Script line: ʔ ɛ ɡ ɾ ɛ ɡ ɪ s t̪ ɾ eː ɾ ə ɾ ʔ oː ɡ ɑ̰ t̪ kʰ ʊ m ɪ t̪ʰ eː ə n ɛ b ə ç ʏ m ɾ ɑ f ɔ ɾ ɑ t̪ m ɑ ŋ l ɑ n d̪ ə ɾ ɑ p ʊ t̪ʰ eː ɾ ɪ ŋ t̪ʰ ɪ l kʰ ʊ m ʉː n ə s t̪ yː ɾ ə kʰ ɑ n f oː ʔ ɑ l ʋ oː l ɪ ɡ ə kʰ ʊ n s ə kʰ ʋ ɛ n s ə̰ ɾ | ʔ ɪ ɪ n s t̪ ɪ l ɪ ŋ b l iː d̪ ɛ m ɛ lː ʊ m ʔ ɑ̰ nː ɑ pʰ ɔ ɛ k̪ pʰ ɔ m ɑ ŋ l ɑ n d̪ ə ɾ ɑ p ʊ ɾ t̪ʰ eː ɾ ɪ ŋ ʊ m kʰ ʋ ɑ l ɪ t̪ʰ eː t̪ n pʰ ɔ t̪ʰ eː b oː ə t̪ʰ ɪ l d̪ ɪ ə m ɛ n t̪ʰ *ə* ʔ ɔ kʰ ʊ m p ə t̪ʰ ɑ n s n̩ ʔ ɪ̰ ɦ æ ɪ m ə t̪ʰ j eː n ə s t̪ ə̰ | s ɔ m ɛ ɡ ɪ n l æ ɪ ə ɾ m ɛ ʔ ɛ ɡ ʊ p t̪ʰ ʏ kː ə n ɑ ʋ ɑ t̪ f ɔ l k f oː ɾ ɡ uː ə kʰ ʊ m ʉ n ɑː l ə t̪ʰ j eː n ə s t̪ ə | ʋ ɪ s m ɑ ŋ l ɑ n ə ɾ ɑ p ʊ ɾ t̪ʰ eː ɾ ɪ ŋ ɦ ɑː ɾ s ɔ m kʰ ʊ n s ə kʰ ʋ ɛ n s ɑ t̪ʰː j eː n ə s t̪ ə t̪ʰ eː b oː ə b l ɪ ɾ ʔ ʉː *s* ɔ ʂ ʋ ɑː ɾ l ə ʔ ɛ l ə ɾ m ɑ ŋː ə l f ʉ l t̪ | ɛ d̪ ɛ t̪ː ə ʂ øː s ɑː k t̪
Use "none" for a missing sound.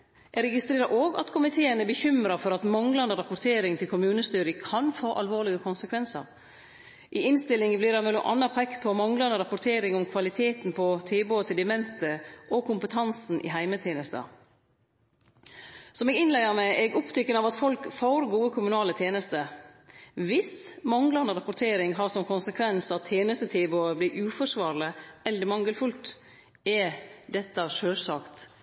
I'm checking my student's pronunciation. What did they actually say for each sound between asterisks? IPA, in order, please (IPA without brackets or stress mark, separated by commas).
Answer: ə, f